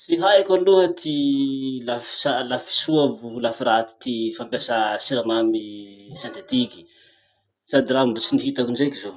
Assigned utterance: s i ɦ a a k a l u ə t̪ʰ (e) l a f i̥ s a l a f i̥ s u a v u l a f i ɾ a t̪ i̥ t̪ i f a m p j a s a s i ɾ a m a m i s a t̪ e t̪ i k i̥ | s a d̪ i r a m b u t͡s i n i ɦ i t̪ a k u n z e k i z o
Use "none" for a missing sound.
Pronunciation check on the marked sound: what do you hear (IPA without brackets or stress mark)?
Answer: i